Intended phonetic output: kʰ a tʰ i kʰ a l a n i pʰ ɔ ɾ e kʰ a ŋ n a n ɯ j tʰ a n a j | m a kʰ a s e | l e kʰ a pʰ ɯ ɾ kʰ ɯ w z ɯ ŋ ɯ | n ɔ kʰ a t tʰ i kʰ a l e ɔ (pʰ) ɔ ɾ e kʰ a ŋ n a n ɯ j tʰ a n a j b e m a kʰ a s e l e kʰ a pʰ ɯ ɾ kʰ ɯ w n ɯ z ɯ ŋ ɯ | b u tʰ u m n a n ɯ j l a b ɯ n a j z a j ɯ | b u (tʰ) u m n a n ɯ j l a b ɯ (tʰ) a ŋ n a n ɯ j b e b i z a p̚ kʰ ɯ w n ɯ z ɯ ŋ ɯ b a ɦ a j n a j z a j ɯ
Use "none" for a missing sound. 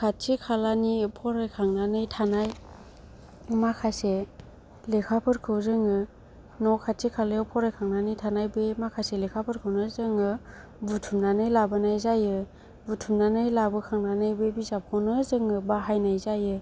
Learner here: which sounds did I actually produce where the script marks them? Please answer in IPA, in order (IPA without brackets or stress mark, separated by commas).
pʰ, tʰ, kʰ